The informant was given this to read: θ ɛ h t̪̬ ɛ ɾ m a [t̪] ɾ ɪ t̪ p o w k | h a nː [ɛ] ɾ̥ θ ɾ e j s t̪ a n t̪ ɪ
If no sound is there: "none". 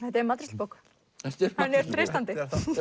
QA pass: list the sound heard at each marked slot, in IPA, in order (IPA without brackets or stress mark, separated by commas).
t̪, ɛ